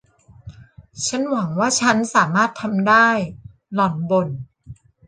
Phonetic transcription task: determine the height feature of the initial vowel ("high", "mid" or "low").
low